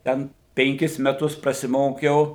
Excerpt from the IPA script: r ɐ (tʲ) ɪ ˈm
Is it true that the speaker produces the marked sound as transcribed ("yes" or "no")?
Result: no